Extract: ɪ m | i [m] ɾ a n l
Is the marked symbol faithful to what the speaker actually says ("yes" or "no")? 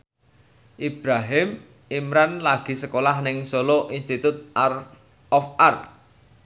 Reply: yes